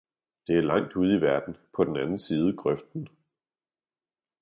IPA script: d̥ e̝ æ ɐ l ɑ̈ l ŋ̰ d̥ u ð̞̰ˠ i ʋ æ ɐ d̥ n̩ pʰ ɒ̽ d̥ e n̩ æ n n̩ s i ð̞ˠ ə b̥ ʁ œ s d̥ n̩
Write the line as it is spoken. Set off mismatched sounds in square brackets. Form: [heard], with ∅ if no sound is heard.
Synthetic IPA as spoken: d̥ e̝ æ ɐ l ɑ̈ [∅] ŋ̰ d̥ u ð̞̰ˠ i ʋ æ ɐ d̥ n̩ pʰ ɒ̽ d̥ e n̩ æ n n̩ s [iː] ð̞ˠ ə [ɡ̥] ʁ œ [f] d̥ n̩